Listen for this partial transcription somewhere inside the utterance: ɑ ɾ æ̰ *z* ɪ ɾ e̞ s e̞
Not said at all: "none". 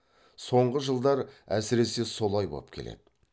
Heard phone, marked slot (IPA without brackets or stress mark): s